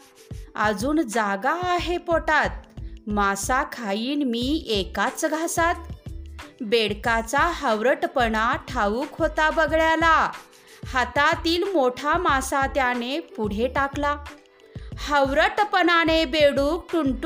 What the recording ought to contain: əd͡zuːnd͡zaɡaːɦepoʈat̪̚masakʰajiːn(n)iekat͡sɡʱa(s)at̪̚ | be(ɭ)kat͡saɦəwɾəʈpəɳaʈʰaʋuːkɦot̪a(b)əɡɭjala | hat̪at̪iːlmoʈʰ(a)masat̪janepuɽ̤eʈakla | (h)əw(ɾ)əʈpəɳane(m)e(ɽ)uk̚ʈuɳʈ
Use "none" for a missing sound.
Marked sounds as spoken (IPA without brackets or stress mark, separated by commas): m, s, ɽ, b, a, h, ɾ, b, ɽ